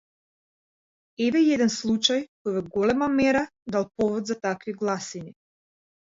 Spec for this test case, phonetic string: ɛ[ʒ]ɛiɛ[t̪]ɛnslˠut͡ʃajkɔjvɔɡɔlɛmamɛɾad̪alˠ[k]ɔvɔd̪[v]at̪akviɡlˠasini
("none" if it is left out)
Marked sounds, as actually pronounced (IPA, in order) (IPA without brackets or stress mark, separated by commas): v, d̪, p, z